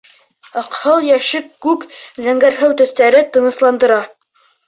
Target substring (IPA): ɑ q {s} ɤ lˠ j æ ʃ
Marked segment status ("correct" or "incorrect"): incorrect